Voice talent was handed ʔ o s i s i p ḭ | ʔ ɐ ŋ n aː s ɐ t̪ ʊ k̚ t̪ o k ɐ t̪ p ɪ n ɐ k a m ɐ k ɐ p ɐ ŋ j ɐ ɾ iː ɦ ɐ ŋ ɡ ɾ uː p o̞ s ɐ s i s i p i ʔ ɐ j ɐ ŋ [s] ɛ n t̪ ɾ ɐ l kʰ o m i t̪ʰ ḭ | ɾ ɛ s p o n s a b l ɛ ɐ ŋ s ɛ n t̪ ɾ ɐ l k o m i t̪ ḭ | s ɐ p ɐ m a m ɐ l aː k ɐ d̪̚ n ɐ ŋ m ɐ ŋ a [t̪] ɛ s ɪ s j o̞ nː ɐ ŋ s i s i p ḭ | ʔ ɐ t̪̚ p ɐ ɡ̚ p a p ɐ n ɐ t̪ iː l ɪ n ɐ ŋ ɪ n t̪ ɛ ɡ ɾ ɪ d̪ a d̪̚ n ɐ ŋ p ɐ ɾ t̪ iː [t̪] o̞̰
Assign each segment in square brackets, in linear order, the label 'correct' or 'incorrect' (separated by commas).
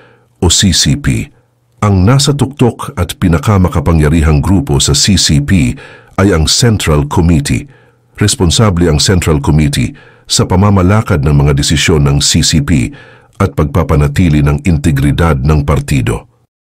correct, incorrect, incorrect